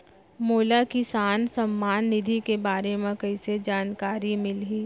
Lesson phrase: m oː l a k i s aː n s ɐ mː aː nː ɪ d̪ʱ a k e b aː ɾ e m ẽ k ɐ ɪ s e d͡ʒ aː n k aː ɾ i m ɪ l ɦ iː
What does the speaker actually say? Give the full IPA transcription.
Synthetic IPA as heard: m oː l a k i s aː n s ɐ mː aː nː ɪ d̪ʱ i k e b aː ɾ e m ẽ k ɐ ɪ s e d͡ʒ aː n k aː ɾ i m ɪ l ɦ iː